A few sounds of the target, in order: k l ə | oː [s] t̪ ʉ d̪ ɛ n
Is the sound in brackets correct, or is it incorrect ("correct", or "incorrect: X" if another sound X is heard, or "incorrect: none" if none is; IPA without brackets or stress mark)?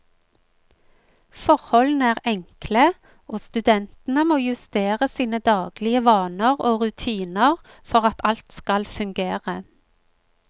correct